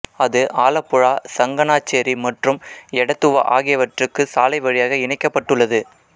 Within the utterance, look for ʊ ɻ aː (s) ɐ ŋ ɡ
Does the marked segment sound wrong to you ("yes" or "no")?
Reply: no